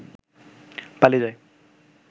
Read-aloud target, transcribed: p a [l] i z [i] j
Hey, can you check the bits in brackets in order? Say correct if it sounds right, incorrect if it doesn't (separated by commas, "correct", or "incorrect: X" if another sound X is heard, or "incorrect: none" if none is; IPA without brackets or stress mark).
correct, incorrect: a